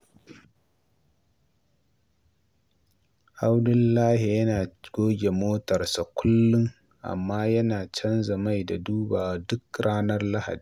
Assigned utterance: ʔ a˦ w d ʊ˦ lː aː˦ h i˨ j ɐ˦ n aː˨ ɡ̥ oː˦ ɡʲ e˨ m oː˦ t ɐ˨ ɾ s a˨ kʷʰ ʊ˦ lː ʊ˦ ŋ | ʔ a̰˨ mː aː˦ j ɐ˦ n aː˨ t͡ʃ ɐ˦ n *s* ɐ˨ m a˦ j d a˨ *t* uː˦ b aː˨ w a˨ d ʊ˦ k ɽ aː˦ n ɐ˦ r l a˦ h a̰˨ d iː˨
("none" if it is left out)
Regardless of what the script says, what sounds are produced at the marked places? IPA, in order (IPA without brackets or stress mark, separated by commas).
z, d